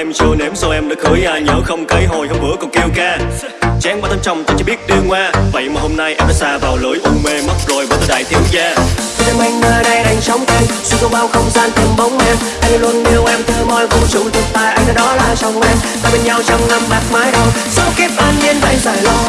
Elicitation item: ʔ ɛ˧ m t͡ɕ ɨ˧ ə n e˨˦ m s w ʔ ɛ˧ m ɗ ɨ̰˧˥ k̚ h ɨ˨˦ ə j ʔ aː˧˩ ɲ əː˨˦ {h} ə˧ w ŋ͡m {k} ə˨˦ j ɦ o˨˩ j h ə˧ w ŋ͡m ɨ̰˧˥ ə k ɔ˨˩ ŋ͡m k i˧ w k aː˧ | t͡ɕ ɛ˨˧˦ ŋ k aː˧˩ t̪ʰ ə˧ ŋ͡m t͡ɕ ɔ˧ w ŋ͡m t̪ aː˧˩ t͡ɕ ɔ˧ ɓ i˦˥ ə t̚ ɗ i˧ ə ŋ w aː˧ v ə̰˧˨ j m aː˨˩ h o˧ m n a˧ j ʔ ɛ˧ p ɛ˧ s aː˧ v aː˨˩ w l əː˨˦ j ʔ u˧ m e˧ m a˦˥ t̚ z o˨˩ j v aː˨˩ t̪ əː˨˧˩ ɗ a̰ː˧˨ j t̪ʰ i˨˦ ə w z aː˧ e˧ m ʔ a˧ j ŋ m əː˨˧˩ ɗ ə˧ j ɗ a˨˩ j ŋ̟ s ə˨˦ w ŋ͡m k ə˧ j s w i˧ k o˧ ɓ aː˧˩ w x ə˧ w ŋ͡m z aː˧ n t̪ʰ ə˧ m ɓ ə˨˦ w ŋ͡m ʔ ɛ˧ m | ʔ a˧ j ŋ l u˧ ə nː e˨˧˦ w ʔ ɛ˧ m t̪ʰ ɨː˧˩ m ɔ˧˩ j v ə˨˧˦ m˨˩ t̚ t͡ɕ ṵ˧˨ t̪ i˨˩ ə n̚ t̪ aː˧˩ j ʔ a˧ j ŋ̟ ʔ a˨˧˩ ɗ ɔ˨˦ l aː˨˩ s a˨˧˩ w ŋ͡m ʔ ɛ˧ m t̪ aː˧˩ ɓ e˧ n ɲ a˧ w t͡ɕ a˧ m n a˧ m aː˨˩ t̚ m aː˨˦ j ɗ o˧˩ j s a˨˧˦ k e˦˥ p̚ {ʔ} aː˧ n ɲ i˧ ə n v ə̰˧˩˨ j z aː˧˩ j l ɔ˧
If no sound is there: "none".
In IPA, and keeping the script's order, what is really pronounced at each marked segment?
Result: x, k, ʔ

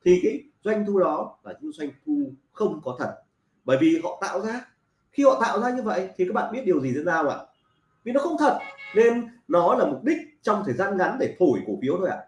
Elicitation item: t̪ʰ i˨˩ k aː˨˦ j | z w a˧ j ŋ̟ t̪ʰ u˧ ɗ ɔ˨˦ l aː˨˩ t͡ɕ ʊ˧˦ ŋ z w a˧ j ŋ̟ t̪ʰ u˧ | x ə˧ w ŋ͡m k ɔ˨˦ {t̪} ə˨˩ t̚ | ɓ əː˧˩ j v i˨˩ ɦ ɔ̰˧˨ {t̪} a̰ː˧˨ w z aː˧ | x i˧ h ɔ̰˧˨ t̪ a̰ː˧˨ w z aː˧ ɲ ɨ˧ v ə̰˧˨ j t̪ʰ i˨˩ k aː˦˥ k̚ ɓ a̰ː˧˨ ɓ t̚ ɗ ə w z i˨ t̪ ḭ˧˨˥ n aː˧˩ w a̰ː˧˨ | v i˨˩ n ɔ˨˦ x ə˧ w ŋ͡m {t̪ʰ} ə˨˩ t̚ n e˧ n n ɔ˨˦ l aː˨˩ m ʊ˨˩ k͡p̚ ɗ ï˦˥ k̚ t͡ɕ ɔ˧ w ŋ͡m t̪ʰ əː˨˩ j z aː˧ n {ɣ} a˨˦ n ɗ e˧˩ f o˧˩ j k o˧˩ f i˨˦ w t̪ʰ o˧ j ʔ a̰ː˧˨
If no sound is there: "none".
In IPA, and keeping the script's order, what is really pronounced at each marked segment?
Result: t̪ʰ, t̪, t̪ʰ, ɣ

